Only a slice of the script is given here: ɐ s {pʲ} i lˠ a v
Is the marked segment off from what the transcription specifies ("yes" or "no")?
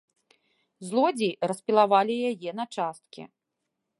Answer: no